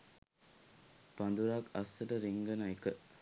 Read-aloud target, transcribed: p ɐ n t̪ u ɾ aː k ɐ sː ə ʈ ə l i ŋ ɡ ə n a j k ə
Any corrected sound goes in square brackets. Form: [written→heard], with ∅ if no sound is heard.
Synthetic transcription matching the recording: p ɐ n [t̪→d̪] u ɾ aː k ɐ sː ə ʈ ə [l→ɾ] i ŋ ɡ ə n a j k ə